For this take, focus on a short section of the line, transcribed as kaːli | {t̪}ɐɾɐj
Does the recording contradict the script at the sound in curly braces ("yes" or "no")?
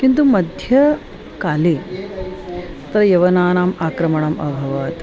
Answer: no